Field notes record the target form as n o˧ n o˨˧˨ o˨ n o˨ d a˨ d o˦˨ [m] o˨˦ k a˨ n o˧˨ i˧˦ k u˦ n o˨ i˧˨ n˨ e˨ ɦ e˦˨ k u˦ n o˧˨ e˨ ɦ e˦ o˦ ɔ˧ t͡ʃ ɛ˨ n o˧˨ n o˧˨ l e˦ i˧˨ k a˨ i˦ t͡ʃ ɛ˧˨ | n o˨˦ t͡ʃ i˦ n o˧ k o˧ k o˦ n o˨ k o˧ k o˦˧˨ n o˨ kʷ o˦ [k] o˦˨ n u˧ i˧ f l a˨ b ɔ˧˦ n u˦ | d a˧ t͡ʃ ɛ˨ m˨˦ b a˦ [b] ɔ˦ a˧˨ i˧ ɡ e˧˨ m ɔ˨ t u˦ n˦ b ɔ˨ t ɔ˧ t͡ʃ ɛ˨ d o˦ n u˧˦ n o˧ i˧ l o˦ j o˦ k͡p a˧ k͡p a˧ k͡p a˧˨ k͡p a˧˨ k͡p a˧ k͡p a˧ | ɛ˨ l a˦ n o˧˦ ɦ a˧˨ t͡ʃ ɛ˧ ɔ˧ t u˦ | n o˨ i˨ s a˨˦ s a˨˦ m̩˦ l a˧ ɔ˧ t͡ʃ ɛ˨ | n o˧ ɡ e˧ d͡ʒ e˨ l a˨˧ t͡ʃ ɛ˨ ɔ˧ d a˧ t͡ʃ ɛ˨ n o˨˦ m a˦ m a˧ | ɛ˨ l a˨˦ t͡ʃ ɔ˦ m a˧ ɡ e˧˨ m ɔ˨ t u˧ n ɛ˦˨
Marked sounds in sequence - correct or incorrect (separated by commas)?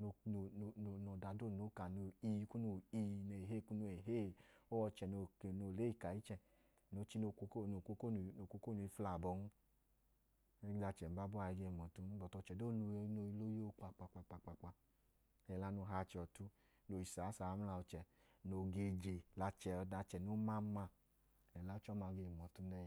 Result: incorrect, correct, correct